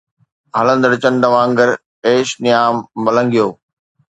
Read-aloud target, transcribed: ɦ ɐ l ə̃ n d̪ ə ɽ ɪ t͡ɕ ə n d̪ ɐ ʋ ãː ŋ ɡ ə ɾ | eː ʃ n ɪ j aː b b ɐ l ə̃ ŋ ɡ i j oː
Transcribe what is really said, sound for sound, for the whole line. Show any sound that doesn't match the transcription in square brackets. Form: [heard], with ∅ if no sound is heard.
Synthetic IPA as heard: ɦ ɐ l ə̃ n d̪ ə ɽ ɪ t͡ɕ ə n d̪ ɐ ʋ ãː ŋ ɡ ə ɾ | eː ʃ n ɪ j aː [m] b ɐ l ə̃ ŋ ɡ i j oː